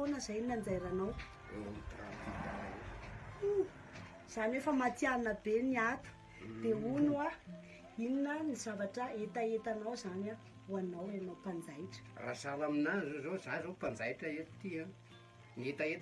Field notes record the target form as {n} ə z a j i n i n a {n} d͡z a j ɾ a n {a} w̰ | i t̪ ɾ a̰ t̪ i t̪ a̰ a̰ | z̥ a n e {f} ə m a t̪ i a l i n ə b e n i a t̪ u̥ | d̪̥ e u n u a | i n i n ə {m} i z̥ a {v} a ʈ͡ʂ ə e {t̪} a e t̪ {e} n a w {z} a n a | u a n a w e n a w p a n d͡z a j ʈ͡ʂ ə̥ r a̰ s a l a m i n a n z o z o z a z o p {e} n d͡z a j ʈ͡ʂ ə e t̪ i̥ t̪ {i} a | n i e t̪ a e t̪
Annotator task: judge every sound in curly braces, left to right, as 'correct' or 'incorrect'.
correct, correct, correct, correct, incorrect: n, correct, correct, incorrect: a, correct, incorrect: a, correct

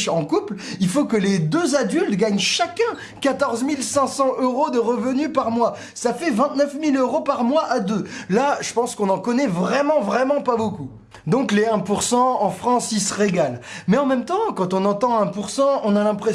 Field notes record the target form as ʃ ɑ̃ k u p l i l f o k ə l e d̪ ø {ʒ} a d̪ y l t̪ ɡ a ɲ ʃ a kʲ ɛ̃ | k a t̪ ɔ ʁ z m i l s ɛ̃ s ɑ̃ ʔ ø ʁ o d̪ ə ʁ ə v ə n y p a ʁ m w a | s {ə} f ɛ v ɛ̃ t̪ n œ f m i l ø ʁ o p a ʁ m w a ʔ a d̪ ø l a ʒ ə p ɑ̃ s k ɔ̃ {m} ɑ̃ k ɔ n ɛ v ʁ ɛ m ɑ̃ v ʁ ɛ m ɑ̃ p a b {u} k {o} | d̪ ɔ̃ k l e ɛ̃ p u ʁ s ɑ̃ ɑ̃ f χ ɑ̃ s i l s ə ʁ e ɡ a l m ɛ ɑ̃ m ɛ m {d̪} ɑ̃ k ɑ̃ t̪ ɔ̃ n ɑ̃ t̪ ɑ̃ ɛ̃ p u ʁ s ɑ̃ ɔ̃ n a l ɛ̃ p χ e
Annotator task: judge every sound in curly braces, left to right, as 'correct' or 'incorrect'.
incorrect: z, incorrect: a, incorrect: n, incorrect: o, incorrect: u, incorrect: t̪

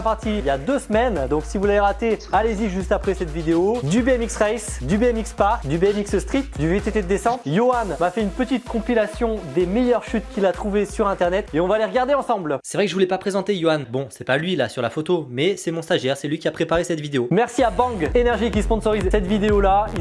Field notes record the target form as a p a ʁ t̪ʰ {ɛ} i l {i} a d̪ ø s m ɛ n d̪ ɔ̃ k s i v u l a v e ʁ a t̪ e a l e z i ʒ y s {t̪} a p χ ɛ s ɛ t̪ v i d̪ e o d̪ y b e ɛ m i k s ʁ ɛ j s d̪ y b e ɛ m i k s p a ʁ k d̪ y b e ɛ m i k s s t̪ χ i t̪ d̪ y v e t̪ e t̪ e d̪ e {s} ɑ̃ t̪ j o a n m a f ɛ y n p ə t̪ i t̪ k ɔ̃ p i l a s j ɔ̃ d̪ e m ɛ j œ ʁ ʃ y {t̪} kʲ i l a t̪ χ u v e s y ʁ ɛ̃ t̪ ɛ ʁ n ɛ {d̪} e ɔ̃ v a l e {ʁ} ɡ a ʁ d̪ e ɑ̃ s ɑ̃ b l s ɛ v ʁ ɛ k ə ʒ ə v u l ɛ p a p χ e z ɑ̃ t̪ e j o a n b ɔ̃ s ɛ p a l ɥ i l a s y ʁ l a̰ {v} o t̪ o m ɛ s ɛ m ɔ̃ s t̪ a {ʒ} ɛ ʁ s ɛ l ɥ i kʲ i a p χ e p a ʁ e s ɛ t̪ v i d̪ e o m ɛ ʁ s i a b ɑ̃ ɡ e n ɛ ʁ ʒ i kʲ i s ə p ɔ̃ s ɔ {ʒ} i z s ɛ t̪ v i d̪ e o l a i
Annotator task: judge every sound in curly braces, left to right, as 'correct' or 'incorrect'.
incorrect: i, incorrect: j, correct, correct, correct, incorrect: t̪, correct, incorrect: f, correct, incorrect: ʁ

